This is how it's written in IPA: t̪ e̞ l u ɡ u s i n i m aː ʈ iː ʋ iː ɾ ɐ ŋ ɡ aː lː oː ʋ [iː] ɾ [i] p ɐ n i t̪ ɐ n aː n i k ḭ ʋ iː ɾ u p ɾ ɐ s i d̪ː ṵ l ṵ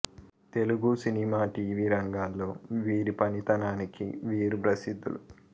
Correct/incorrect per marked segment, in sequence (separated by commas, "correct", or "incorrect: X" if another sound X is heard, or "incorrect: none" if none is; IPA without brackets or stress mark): correct, correct